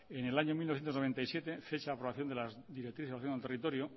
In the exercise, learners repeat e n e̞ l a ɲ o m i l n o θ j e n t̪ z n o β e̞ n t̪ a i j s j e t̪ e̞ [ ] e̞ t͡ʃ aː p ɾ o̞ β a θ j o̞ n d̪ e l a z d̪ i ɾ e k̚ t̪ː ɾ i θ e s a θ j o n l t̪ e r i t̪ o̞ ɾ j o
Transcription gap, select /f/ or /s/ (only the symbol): f